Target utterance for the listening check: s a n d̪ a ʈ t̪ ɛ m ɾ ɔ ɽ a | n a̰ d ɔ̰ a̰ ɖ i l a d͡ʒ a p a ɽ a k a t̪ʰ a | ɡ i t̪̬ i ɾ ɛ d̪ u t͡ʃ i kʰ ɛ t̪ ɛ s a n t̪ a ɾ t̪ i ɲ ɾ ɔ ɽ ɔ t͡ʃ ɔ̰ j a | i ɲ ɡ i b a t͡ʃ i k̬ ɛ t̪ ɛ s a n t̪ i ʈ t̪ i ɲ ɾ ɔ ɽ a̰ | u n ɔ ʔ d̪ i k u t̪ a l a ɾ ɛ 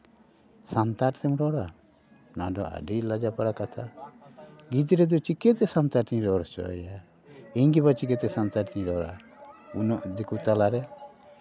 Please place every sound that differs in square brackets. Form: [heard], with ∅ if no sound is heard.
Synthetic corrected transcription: s a n [t̪] a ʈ t̪ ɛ m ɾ ɔ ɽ a | n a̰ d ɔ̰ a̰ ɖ i l a d͡ʒ a p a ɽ a k a t̪ʰ a | ɡ i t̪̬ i ɾ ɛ d̪ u t͡ʃ i [k] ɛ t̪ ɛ s a n t̪ a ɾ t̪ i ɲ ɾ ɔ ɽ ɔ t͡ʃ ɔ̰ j a | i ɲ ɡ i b a t͡ʃ i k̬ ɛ t̪ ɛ s a n t̪ [a] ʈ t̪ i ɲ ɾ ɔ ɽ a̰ | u n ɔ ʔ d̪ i k u t̪ a l a ɾ ɛ